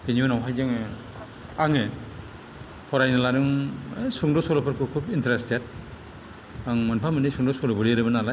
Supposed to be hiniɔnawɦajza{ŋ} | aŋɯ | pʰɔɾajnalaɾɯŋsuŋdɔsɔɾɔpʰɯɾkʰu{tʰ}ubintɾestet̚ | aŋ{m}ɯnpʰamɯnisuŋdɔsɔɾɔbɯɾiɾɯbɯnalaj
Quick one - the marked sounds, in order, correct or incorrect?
correct, incorrect, correct

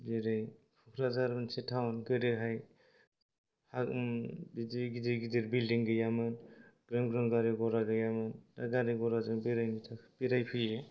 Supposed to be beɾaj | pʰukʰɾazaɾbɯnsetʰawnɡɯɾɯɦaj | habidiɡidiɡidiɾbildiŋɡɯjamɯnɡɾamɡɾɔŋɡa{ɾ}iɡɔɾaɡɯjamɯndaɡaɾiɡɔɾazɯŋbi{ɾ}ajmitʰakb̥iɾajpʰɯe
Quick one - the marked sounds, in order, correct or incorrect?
correct, correct

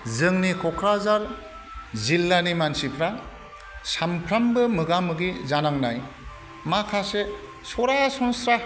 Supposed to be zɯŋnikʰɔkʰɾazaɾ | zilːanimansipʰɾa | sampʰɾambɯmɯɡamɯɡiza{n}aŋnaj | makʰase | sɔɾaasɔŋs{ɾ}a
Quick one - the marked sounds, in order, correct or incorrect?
correct, correct

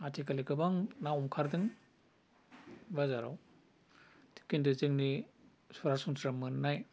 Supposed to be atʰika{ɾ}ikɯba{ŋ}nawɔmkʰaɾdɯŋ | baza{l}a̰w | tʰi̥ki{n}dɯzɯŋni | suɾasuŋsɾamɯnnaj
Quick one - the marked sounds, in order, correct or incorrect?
incorrect, correct, incorrect, correct

